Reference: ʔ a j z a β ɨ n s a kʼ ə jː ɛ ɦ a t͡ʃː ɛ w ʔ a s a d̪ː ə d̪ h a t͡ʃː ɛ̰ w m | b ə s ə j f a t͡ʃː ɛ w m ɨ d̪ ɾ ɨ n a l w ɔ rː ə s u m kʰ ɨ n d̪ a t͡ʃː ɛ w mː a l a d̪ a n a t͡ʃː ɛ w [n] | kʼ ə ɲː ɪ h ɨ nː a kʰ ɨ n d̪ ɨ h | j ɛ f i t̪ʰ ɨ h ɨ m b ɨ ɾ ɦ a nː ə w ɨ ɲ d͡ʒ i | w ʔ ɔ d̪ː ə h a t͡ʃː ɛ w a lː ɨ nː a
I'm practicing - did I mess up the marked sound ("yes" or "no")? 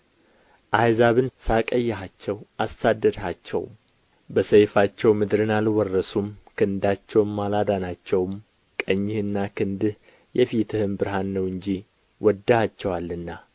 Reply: yes